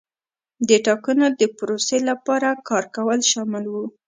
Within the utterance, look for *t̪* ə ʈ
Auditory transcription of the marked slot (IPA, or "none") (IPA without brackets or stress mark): d̪